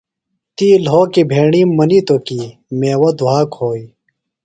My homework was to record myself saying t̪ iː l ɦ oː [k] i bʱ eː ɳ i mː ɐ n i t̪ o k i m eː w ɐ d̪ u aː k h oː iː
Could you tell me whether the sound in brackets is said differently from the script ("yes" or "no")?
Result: no